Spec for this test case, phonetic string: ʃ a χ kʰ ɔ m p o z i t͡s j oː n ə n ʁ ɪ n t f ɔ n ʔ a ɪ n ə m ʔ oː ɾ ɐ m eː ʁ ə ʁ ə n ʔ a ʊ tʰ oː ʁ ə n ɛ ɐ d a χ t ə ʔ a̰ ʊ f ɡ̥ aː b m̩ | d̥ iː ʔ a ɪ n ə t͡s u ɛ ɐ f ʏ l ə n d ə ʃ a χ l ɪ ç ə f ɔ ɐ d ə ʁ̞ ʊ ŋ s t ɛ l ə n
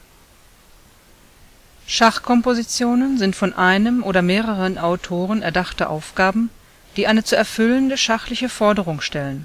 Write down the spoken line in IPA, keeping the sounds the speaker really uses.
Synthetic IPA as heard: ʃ a χ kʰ ɔ m p o z i t͡s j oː n ə n z ɪ n t f ɔ n ʔ a ɪ n ə m ʔ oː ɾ ɐ m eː ʁ ə ʁ ə n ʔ a ʊ tʰ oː ʁ ə n ɛ ɐ d a χ t ə ʔ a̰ ʊ f ɡ̥ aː b m̩ | d̥ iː ʔ a ɪ n ə t͡s u ɛ ɐ f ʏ l ə n d ə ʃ a χ l ɪ ç ə f ɔ ɐ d ə ʁ̞ ʊ ŋ ʃ t ɛ l ə n